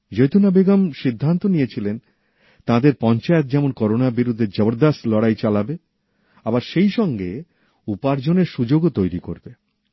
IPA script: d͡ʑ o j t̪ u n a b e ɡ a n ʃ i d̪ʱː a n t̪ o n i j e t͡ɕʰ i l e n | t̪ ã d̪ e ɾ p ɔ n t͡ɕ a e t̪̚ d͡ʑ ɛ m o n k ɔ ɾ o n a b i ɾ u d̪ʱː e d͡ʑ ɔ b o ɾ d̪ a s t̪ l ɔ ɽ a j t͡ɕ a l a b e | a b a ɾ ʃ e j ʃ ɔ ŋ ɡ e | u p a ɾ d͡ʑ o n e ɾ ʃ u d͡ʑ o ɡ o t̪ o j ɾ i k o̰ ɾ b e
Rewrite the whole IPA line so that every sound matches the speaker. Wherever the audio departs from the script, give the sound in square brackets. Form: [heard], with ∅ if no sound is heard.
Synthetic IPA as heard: d͡ʑ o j t̪ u n a b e ɡ a [m] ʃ i d̪ʱː a n t̪ o n i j e t͡ɕʰ i l e n | t̪ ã d̪ e ɾ p ɔ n t͡ɕ a e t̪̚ d͡ʑ ɛ m o n k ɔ ɾ o n a b i ɾ u d̪ʱː e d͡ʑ ɔ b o ɾ d̪ a s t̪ l ɔ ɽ a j t͡ɕ a l a b e | a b a ɾ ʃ e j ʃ ɔ ŋ ɡ e | u p a ɾ d͡ʑ o n e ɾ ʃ u d͡ʑ o ɡ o t̪ o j ɾ i k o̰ ɾ b e